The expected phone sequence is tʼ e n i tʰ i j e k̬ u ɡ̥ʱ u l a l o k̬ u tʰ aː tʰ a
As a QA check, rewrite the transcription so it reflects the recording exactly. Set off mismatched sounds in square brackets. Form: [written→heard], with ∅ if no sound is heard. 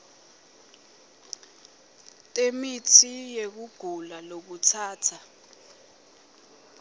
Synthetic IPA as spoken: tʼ e [n→m] i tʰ i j e k̬ u ɡ̥ʱ u l a l o k̬ u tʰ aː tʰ a